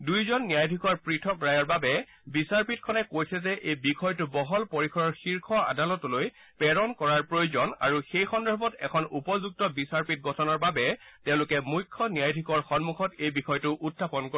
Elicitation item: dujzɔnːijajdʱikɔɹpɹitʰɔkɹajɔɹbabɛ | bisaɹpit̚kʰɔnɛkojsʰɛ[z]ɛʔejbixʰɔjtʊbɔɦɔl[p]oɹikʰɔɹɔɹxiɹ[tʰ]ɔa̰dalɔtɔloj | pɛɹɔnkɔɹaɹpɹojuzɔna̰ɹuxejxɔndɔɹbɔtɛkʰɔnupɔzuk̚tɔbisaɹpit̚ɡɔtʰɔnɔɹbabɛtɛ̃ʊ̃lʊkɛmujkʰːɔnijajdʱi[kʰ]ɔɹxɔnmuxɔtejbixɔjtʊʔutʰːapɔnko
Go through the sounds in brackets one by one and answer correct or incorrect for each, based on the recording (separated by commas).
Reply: correct, correct, incorrect, incorrect